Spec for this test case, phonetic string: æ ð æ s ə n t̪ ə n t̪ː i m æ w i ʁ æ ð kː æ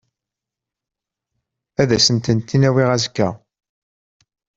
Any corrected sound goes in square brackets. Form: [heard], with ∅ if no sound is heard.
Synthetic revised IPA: æ ð æ s ə n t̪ ə n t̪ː i [n] æ w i ʁ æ [z] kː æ